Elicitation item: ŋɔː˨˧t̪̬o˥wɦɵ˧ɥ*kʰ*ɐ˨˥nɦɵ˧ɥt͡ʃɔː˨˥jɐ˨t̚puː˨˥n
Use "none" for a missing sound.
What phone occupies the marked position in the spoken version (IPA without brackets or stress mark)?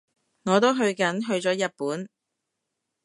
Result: k